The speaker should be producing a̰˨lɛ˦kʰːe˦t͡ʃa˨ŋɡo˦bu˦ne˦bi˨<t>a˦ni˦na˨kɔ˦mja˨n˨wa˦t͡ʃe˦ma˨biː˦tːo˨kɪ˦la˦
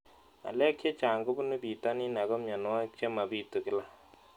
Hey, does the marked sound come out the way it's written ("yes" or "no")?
yes